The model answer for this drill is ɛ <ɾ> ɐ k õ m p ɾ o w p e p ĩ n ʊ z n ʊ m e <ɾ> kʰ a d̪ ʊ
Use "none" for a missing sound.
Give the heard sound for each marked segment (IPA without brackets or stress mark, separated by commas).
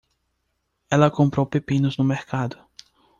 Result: l, ɾ